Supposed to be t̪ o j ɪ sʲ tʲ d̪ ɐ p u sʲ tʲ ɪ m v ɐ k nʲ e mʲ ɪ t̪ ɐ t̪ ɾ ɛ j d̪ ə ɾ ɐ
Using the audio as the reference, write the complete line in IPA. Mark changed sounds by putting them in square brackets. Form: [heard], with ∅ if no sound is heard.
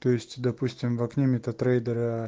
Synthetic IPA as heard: t̪ o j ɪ sʲ tʲ d̪ ɐ p u sʲ tʲ ɪ m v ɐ k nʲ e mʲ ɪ t̪ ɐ t̪ ɾ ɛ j d̪ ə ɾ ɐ

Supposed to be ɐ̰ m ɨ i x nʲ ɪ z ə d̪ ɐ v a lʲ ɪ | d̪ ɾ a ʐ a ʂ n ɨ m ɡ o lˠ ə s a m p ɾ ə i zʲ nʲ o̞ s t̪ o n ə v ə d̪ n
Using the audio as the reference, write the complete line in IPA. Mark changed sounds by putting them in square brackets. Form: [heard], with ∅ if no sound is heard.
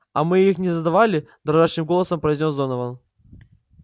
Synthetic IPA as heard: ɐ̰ m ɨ i x nʲ ɪ z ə d̪ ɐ v a lʲ ɪ | d̪ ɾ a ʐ a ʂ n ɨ m ɡ o lˠ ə s [ə] m p ɾ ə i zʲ nʲ o̞ s [d̪] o n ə v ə [∅] n

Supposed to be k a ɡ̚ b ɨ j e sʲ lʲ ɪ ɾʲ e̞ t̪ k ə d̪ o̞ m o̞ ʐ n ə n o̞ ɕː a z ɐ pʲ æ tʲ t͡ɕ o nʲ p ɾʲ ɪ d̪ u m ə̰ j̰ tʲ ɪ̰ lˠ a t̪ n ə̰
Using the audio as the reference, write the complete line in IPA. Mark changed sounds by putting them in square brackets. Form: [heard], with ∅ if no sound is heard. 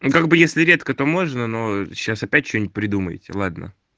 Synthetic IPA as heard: k a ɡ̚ b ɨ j e sʲ lʲ ɪ ɾʲ e̞ t̪ k ə [t̪] o̞ m o̞ ʐ n ə n o̞ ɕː a [s] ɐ pʲ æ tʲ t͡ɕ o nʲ p ɾʲ ɪ d̪ u m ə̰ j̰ tʲ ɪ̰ lˠ a [d̪] n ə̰

